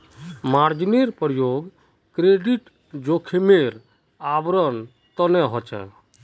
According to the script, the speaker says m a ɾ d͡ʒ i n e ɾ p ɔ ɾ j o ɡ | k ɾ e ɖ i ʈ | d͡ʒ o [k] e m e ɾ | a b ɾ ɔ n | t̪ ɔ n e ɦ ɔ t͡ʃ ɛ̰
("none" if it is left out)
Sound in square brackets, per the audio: kʰ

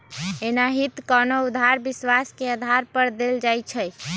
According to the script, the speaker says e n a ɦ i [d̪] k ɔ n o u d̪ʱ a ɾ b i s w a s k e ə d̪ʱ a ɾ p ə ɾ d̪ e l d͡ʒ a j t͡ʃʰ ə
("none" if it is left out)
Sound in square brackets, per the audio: t̪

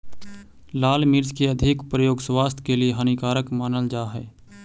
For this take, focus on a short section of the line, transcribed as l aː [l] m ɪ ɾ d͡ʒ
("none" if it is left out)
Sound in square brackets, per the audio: l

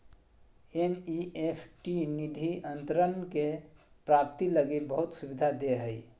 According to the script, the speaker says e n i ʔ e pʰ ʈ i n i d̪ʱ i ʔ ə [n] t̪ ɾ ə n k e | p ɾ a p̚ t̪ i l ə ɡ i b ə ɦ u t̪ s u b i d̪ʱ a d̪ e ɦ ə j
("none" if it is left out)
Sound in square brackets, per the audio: n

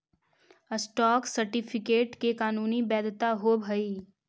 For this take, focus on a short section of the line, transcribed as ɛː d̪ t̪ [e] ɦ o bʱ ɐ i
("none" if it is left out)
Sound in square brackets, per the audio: a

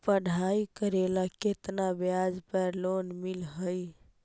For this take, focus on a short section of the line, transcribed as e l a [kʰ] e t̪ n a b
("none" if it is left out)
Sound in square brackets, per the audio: k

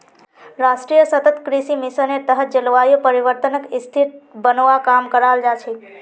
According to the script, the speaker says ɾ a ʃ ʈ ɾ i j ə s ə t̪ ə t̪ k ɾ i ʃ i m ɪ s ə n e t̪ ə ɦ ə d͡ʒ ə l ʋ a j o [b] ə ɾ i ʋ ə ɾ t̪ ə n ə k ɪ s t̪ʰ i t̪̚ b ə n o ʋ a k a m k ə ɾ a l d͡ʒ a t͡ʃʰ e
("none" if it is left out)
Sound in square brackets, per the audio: p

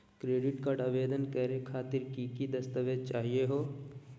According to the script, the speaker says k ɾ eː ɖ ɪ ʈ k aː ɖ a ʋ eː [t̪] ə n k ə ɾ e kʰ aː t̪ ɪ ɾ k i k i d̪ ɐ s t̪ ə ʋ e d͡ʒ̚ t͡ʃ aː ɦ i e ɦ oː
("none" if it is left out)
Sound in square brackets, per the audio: d̪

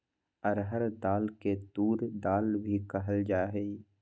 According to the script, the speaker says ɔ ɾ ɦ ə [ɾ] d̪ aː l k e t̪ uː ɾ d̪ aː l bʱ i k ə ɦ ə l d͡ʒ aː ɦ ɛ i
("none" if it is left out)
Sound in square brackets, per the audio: ɾ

